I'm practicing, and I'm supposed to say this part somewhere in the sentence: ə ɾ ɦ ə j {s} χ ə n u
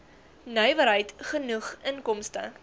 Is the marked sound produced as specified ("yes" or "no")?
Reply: no